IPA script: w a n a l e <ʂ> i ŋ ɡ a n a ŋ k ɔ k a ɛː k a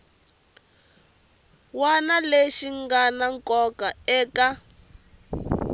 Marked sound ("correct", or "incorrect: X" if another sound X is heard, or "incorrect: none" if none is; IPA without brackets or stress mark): incorrect: ʃ